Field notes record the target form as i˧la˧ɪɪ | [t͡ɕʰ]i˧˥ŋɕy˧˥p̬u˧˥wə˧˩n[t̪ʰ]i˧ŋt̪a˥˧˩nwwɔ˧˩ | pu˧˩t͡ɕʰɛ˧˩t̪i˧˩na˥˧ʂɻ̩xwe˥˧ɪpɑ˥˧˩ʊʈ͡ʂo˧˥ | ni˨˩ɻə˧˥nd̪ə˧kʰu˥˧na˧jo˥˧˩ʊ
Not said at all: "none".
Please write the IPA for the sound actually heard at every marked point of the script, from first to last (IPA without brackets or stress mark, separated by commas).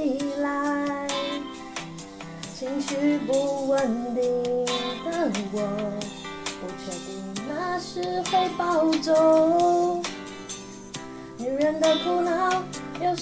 t͡ɕʰ, t̪